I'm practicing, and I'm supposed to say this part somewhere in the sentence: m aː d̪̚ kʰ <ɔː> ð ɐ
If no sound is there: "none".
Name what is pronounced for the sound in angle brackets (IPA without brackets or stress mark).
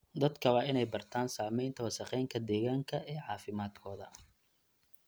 ɔː